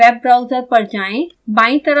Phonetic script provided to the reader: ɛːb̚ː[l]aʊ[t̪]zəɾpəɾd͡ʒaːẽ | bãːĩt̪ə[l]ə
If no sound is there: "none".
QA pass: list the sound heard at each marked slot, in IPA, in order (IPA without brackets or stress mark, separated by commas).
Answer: ɾ, none, ɾ